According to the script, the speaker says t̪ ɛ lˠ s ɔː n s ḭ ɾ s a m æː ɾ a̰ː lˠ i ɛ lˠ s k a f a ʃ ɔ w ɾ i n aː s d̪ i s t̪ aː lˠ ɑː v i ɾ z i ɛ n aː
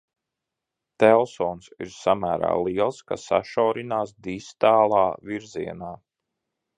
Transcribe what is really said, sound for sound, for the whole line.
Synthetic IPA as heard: t̪ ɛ lˠ s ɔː n s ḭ ɾ s a m æː ɾ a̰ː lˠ i ɛ lˠ s k a s a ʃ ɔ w ɾ i n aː s d̪ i s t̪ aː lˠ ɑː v i ɾ z i ɛ n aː